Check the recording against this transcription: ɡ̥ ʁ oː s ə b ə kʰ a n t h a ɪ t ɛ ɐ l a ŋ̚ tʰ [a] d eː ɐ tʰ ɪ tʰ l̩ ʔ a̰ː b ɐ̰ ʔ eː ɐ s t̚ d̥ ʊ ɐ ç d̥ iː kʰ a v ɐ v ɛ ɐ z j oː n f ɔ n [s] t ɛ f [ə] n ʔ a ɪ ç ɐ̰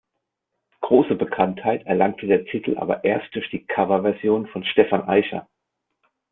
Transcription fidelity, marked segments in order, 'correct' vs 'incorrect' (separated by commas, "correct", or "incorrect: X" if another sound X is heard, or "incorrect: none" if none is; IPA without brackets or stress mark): incorrect: ə, incorrect: ʃ, incorrect: a